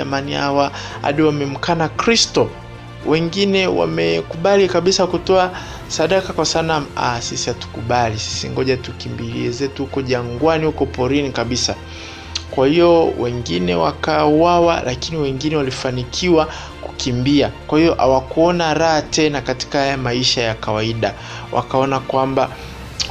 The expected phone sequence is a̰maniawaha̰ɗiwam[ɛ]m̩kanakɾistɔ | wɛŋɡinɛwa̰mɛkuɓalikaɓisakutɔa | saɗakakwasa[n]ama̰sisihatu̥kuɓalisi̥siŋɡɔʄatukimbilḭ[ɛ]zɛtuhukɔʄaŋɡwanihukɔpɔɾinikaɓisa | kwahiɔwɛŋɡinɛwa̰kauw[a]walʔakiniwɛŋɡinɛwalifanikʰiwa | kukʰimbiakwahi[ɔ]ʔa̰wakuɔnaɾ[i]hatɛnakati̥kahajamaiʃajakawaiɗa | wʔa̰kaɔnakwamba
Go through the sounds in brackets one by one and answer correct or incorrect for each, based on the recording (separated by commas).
correct, correct, correct, correct, correct, incorrect